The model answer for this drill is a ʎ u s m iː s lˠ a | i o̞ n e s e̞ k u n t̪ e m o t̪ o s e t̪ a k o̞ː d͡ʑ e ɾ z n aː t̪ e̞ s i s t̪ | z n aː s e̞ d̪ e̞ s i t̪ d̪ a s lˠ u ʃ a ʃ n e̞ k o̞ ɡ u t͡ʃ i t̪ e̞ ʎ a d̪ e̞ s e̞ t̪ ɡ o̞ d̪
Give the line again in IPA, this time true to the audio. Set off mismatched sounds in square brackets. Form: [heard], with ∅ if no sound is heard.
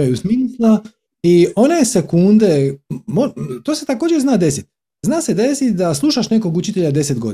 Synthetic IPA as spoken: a [j] u s m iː s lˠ a | i o̞ n e s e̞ k u n [d̪] e m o t̪ o s e t̪ a k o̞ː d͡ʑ e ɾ z n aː [d̪] e̞ s i [∅] t̪ | z n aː s e̞ d̪ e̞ s i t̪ d̪ a s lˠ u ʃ a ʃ n e̞ k o̞ ɡ u t͡ʃ i t̪ e̞ ʎ a d̪ e̞ s e̞ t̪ ɡ o̞ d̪